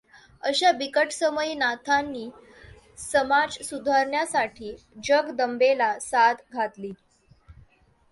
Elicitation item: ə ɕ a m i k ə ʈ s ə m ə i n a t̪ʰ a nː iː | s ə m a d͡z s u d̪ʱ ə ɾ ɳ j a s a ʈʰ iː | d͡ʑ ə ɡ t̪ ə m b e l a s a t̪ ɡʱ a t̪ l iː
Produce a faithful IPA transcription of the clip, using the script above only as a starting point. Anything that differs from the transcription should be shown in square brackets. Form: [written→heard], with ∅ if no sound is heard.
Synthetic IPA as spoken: ə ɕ a [m→b] i k ə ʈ s ə m ə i n a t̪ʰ a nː iː | s ə m a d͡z s u d̪ʱ [ə→a] ɾ ɳ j a s a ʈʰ iː | d͡ʑ ə ɡ [t̪→d̪] ə m b e l a s a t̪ ɡʱ a t̪ l iː